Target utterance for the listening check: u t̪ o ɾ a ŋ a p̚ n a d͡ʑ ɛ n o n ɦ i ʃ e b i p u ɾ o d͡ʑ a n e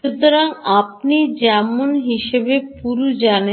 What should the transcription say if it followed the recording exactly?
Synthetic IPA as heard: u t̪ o ɾ a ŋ a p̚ n i d͡ʑ ɛ m o n ɦ i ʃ e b e p u ɾ u d͡ʑ a n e